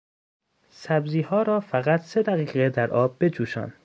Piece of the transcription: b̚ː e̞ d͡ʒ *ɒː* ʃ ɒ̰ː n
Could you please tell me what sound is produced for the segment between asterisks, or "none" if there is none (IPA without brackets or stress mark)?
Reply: uː